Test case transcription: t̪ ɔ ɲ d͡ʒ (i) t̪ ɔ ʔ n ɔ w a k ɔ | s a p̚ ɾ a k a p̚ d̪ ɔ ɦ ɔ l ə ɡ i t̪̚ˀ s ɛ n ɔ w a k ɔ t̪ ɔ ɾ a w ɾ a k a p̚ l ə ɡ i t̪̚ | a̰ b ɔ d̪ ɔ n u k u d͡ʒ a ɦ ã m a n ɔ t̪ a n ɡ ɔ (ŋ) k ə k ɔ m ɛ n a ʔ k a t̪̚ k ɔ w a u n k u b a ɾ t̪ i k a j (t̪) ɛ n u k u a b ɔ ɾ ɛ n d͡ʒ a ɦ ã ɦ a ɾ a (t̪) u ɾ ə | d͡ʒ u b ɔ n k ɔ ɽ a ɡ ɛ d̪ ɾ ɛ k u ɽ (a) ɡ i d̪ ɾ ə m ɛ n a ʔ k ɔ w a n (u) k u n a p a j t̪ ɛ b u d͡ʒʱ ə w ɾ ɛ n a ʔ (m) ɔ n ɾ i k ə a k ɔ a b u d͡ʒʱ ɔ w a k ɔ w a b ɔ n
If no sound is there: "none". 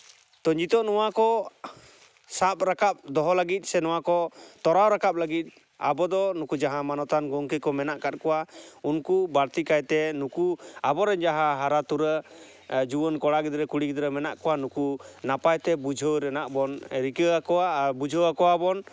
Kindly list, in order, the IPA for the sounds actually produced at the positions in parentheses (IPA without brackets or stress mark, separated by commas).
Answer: i, ŋ, t̪, t̪, i, u, b